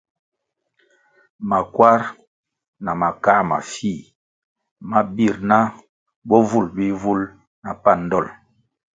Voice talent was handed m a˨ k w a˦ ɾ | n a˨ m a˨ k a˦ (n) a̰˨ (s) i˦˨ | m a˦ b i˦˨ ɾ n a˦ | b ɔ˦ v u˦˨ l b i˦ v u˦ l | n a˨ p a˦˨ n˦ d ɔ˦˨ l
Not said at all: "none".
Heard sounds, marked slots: m, f

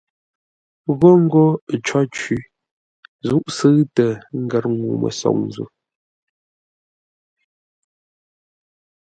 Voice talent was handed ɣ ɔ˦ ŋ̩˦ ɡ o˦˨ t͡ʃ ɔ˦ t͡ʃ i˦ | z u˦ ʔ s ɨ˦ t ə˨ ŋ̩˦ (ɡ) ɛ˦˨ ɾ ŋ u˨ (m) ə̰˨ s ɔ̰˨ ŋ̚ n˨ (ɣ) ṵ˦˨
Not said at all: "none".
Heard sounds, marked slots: ɡ, m, z

